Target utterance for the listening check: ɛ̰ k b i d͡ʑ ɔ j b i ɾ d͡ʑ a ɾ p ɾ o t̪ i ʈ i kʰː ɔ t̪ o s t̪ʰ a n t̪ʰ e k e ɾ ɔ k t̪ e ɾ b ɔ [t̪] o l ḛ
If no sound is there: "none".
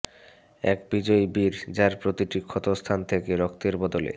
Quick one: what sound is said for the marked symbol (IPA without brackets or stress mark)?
d̪